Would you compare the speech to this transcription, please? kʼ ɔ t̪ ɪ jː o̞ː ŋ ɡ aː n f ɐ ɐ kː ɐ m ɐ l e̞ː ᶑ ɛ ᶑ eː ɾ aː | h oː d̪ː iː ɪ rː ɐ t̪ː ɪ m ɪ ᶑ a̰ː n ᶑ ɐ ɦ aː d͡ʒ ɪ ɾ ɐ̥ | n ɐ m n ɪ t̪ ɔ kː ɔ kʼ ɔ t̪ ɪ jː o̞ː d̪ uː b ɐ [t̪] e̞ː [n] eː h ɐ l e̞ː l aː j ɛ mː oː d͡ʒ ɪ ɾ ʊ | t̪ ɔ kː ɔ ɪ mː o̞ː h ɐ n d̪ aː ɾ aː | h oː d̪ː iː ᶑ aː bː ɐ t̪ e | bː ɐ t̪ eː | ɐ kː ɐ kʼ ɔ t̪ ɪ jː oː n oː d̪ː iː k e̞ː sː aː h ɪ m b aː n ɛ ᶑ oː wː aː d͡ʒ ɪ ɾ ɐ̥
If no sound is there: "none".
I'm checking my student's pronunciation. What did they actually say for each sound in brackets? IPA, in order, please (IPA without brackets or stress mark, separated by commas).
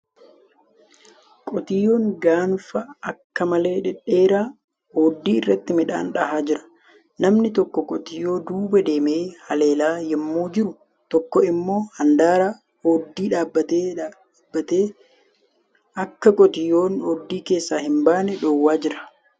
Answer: d̪, m